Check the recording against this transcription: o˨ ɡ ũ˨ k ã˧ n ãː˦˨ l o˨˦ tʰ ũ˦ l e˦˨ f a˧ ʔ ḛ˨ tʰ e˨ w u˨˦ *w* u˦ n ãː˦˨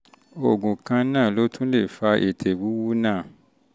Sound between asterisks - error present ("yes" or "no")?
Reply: no